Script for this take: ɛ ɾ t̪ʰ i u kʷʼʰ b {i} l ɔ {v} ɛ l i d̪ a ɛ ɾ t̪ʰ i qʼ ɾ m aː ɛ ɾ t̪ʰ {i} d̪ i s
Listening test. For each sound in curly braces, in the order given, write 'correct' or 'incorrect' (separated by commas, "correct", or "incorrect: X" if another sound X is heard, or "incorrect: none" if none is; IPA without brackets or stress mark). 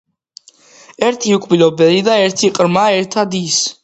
correct, incorrect: b, incorrect: a